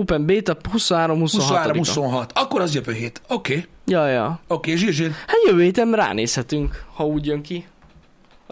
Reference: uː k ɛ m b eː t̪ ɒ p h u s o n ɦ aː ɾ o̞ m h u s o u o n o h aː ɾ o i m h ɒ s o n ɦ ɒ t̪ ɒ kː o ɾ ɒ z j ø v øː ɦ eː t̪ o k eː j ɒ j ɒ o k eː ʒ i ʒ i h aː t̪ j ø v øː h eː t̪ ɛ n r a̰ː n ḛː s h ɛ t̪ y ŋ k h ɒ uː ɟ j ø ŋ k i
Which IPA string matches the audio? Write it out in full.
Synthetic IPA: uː p ɛ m b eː t̪ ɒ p h u s o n ɦ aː ɾ o̞ m h u s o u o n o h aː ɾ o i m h u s o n ɦ ɒ t̪ ɒ kː o ɾ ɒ z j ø v øː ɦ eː t̪ o k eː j ɒ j ɒ o k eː ʒ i ʒ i h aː t̪ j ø v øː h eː t̪ ɛ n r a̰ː n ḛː s h ɛ t̪ y ŋ k h ɒ uː ɟ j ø ŋ k i